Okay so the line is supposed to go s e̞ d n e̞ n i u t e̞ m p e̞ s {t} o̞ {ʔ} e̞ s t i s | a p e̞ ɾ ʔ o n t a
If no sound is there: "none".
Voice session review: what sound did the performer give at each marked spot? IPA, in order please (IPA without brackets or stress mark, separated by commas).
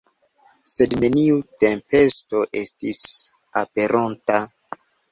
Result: t, ʔ